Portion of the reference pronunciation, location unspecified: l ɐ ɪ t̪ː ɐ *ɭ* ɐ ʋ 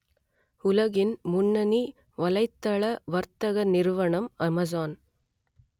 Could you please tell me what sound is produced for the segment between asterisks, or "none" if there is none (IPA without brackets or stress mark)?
ɭ